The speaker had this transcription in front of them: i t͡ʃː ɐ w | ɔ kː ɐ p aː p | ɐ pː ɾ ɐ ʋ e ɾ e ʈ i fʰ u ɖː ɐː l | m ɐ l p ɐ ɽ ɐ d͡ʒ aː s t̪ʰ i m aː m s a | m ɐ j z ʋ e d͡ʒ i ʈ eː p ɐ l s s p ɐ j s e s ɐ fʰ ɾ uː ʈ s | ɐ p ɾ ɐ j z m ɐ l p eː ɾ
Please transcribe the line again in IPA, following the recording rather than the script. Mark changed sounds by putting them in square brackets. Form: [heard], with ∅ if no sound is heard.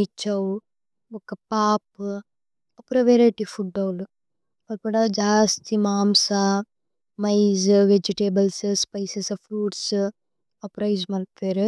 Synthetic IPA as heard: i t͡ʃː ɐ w | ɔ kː ɐ p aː p | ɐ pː ɾ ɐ ʋ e ɾ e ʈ i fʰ u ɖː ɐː l | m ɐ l p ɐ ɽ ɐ d͡ʒ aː s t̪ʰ i m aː m s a | m ɐ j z ʋ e d͡ʒ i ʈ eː [b] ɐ l s s p ɐ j s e s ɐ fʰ ɾ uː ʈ s | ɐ p ɾ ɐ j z m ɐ l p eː ɾ